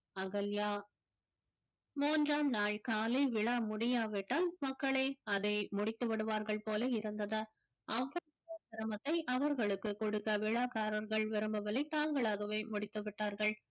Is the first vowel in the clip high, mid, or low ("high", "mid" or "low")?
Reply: low